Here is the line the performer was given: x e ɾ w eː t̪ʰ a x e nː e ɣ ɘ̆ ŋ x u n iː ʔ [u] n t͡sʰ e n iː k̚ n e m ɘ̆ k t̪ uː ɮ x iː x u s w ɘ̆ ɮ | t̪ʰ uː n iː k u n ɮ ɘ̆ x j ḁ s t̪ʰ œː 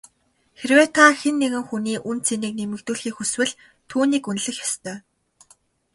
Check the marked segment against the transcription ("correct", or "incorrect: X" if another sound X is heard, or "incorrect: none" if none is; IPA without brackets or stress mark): correct